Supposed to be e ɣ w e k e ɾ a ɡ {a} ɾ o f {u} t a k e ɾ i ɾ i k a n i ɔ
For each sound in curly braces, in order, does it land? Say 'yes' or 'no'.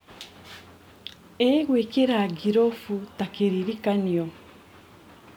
no, yes

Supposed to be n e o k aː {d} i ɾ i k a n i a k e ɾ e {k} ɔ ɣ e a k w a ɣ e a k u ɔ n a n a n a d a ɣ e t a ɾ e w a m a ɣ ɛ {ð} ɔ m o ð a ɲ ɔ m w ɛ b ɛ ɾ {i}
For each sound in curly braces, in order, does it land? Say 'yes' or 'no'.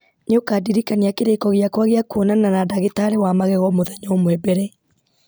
yes, yes, no, no

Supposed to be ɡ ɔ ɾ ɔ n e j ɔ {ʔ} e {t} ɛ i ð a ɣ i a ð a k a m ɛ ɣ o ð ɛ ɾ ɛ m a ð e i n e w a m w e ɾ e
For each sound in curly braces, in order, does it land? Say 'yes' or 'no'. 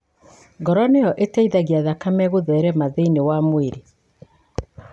yes, yes

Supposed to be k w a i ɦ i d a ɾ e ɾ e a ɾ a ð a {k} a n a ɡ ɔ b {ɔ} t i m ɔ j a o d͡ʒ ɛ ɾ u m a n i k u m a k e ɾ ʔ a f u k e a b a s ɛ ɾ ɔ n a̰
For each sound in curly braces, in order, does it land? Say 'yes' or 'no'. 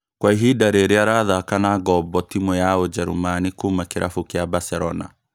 yes, yes

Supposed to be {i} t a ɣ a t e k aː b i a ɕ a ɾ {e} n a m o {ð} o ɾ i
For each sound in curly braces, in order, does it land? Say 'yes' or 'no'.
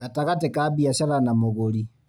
no, no, no

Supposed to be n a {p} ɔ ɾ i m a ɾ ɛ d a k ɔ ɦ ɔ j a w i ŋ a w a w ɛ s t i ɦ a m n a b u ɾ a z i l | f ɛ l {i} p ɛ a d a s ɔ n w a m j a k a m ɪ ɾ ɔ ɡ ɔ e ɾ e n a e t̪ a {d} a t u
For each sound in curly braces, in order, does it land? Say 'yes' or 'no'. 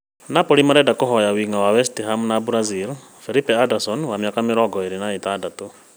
yes, yes, yes

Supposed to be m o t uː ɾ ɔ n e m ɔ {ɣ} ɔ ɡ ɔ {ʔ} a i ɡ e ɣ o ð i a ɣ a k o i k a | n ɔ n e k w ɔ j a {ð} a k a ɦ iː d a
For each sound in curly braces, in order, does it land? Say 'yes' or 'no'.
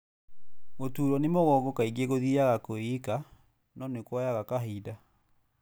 yes, no, no

